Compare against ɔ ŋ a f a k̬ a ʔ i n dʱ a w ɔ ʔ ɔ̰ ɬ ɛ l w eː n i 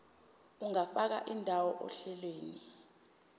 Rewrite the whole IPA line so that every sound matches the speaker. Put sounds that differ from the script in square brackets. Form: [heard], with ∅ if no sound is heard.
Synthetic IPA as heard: [u] ŋ a f a k̬ a ʔ i n dʱ a w ɔ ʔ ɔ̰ ɬ ɛ l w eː n i

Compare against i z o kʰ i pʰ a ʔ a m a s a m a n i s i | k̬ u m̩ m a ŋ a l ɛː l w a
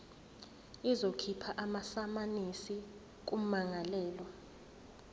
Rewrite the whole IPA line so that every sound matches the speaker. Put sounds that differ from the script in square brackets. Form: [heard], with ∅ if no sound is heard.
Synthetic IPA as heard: i z o kʰ i pʰ a ʔ a m a s a m a n i s i | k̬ u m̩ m a ŋ a l ɛː l w a

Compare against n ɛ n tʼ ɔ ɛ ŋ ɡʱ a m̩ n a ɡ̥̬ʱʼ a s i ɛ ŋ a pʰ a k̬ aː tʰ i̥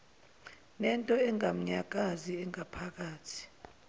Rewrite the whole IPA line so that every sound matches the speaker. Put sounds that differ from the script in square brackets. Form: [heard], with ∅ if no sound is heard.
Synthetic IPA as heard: n ɛ n tʼ ɔ ɛ ŋ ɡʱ a m̩ [ɲ] a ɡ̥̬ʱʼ a [z] i ɛ ŋ a pʰ a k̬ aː tʰ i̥

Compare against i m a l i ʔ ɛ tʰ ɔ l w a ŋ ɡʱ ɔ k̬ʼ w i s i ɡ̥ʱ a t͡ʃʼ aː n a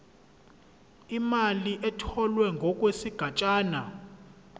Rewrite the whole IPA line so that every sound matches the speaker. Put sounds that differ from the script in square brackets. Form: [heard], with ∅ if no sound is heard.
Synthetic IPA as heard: i m a l i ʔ ɛ tʰ ɔ l w [ɛ] ŋ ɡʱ ɔ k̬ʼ w [e] s i ɡ̥ʱ a t͡ʃʼ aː n a

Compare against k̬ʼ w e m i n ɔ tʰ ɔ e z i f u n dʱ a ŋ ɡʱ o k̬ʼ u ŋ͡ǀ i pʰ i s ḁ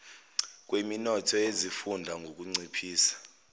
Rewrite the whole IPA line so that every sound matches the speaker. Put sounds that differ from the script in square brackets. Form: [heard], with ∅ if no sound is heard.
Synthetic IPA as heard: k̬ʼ w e m i n ɔ tʰ ɔ e z i f u n dʱ a ŋ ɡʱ o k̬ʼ u ŋ͡ǀ i pʰ [iː] s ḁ

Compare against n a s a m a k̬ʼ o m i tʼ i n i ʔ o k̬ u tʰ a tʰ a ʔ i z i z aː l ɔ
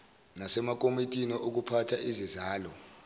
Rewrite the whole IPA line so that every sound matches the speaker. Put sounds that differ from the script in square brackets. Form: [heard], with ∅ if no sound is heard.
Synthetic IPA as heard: n a s [ɛ] m a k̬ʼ o m i tʼ i n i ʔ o k̬ u [pʰ] a tʰ a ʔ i z i z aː l ɔ

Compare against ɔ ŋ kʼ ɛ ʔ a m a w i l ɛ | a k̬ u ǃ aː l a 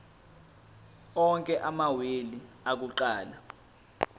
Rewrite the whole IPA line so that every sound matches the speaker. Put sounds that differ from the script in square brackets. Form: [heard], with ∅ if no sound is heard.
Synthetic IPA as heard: ɔ ŋ kʼ ɛ ʔ a m a w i l [i] | a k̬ u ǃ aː l a

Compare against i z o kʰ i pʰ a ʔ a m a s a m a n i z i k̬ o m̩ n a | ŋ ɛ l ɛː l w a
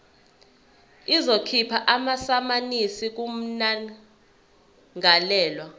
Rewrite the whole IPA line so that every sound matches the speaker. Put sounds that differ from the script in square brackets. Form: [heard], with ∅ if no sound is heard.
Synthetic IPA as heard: i z o kʰ i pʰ a ʔ a m a s a m a n i [s] i k̬ [u] m̩ n a | ŋ [a] l ɛː l w a

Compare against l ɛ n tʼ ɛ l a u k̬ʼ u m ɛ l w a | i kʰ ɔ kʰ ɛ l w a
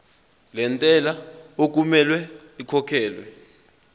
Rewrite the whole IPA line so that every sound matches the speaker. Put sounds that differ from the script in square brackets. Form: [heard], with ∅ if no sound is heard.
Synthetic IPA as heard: l ɛ n tʼ ɛ l a [o] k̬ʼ u m ɛ l w [ɛ] | i kʰ ɔ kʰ [ɛː] l w [ɛ]

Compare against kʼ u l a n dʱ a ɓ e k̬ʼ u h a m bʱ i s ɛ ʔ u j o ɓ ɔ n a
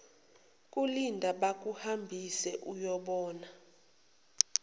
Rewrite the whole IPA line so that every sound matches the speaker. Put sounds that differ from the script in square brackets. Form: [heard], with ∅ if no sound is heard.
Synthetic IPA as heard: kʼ u l [i] n dʱ a ɓ [a] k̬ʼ u h a m bʱ i s ɛ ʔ u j [ɔ] ɓ [ɔː] n a

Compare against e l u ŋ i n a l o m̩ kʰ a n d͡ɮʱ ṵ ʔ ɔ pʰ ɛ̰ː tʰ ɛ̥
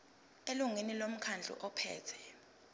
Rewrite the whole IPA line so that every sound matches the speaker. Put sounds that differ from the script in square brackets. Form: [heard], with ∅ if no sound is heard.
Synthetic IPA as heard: e l u ŋ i n [i] l o m̩ kʰ a n d͡ɮʱ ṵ ʔ ɔ pʰ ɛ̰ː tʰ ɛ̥

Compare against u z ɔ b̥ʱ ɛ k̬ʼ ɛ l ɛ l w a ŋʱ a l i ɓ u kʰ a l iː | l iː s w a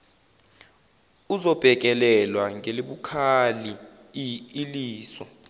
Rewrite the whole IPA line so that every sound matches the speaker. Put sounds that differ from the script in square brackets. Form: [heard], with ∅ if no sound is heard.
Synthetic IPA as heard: u z ɔ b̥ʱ ɛ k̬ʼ ɛ l ɛ l w a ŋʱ [e] l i ɓ u kʰ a l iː | l iː s w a

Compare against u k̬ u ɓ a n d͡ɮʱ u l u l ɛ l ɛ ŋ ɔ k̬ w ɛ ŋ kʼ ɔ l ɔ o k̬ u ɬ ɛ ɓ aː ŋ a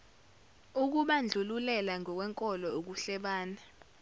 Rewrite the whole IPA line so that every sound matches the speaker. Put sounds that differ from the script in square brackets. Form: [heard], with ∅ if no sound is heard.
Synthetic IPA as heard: u k̬ u ɓ a n d͡ɮʱ u l u l ɛ l [a] ŋ ɔ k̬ w ɛ ŋ kʼ ɔ l ɔ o k̬ u ɬ ɛ ɓ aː [n] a

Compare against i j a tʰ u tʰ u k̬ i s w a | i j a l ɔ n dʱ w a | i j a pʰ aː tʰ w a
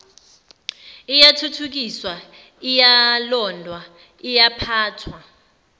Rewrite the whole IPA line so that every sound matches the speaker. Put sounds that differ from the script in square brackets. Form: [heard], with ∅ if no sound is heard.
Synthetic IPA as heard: i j a tʰ u tʰ u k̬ i s w a | i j a l ɔ n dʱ w a | i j a pʰ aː tʰ w a

